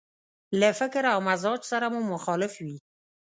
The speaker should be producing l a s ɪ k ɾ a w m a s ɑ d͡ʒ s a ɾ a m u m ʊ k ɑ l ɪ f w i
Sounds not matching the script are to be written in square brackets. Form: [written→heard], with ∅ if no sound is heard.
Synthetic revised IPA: l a [s→f] ɪ k ɾ a w m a [s→z] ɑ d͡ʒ s a ɾ a m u m ʊ [k→x] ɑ l ɪ f w i